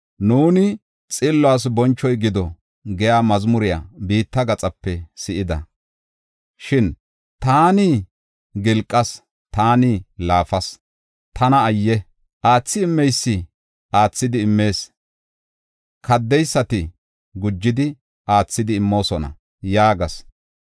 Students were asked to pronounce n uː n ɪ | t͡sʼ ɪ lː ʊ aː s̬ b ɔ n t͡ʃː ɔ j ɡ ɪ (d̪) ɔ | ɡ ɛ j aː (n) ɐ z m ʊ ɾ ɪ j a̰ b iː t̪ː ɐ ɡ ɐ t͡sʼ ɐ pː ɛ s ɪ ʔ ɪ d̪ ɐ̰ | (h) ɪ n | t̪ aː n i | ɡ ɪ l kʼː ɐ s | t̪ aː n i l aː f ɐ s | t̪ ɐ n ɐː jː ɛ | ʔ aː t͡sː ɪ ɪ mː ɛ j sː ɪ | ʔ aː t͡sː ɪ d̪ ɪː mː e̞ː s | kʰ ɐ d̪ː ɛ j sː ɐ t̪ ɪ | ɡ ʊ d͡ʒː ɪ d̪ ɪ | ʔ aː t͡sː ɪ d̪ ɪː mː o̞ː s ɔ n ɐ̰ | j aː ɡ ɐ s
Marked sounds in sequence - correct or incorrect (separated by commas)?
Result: correct, incorrect, incorrect